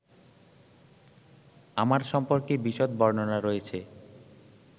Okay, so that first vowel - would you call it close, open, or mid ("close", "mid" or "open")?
open